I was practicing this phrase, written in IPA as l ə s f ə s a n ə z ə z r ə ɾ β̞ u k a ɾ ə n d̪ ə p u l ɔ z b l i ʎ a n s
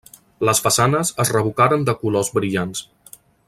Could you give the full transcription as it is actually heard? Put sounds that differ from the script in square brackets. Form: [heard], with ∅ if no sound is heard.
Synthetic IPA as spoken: l ə s f ə s a n ə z ə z r ə [∅] β̞ u k a ɾ ə n d̪ ə [k] u l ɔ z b [ɾ] i ʎ a n s